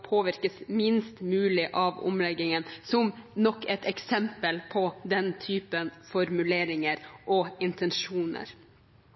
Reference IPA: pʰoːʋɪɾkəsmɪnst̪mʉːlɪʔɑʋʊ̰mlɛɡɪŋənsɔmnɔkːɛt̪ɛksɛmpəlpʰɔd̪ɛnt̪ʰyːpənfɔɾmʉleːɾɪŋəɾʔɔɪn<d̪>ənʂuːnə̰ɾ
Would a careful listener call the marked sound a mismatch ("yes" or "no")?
yes